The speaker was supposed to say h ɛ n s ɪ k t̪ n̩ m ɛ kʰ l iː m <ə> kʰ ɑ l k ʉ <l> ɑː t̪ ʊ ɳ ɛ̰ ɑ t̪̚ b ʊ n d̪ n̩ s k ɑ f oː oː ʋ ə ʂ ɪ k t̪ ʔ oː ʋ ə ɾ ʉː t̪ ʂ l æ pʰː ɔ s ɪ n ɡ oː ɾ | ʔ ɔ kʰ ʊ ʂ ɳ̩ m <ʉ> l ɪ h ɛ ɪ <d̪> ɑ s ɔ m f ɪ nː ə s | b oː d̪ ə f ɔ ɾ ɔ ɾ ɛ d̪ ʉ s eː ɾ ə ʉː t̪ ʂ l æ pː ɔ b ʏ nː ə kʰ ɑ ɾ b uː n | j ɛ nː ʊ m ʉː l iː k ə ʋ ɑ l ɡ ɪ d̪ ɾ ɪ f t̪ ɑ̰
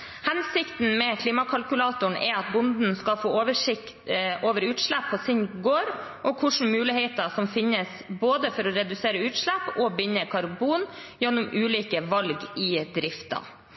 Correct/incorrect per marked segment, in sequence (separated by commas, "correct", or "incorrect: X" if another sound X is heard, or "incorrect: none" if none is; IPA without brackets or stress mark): incorrect: ɑ, correct, incorrect: ʉː, incorrect: t̪